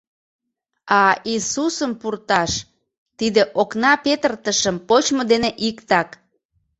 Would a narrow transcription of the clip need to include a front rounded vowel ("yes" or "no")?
no